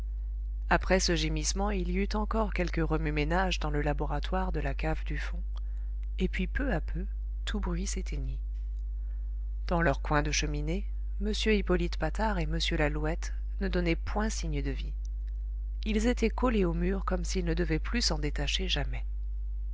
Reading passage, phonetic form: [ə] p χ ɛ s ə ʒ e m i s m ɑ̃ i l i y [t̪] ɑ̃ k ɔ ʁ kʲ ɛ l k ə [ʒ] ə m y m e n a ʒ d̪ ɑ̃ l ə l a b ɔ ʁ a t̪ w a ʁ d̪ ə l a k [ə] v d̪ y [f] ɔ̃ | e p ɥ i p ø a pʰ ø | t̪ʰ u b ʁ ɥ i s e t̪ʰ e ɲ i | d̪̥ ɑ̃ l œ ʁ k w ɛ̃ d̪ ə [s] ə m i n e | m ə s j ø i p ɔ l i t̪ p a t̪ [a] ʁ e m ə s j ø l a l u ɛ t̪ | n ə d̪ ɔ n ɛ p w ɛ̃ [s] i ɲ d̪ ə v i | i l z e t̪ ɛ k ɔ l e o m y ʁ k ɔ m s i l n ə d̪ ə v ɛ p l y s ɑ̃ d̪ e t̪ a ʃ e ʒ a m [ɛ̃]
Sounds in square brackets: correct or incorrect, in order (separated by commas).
incorrect, correct, incorrect, incorrect, correct, incorrect, correct, correct, incorrect